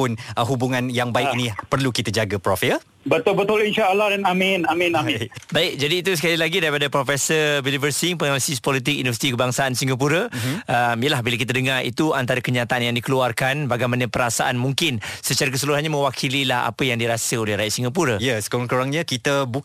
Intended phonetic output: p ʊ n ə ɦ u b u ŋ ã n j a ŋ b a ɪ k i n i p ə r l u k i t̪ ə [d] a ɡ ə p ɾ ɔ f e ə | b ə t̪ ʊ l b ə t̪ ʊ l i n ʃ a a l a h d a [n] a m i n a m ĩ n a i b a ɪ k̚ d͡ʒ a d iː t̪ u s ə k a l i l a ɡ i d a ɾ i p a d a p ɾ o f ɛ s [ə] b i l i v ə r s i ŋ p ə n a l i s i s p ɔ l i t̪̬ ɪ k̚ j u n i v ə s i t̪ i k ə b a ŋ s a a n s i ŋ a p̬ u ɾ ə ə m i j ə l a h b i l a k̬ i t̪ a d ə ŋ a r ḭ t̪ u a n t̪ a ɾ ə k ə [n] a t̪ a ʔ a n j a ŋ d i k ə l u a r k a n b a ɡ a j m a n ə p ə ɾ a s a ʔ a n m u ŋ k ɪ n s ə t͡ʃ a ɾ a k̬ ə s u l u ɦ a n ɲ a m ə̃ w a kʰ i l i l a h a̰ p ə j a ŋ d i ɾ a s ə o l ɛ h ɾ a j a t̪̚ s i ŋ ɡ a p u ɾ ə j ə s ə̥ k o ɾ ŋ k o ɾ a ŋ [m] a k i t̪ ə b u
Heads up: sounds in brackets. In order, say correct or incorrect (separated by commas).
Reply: incorrect, correct, correct, incorrect, incorrect